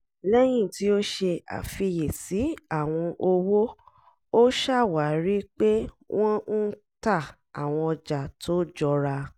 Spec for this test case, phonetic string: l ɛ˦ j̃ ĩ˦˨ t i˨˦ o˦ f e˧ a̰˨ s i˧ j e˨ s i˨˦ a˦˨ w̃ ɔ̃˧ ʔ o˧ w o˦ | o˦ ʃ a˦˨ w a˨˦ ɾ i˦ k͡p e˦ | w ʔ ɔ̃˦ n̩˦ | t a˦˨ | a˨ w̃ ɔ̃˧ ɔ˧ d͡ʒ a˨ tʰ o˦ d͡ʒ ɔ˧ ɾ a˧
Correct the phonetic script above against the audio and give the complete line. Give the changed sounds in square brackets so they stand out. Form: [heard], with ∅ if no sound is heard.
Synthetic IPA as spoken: l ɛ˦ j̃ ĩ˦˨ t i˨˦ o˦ [ʃ] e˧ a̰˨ [f] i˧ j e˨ s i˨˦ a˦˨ w̃ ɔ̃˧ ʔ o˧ w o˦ | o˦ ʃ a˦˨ w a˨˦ ɾ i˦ k͡p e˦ | w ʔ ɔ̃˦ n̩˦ | t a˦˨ | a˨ w̃ ɔ̃˧ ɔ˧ d͡ʒ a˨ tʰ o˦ d͡ʒ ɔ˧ ɾ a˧